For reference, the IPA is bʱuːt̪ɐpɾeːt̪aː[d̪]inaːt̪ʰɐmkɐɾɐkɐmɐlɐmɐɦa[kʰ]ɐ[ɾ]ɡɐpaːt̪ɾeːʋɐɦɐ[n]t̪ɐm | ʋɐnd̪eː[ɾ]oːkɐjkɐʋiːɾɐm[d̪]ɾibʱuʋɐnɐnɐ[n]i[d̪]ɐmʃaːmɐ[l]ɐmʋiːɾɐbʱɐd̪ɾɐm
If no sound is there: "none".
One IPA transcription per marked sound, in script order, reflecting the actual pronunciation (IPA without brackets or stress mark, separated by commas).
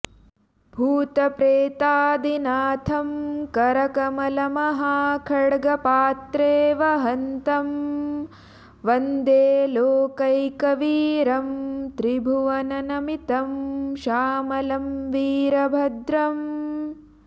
d̪, kʰ, ɽ, n, l, t̪, m, t̪, l